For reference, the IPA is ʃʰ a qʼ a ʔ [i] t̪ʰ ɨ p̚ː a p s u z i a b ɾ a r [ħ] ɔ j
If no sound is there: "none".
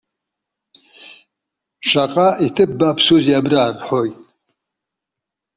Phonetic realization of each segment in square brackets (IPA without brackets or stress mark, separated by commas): i, ħ